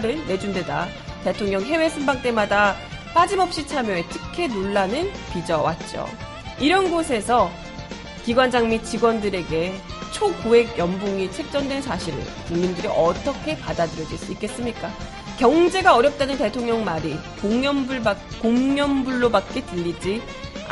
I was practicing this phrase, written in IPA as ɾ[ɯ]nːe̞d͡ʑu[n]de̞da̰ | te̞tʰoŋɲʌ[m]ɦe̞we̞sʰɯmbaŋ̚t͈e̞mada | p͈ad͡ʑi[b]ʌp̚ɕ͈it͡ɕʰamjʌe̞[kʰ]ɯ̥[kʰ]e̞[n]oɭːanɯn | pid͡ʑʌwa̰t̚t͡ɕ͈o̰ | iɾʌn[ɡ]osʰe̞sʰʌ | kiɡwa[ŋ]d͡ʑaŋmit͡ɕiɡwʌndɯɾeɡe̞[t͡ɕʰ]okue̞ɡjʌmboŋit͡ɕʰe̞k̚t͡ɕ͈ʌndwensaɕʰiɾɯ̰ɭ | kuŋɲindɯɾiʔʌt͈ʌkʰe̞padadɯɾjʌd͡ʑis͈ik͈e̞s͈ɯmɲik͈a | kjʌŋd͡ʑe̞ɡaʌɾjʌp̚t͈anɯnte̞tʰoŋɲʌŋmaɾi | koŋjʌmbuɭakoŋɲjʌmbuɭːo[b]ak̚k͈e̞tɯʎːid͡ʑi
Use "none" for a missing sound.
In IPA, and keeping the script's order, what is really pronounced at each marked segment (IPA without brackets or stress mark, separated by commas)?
ɯ, n, ŋ, m, tʰ, kʰ, n, ɡ, n, t͡ɕʰ, b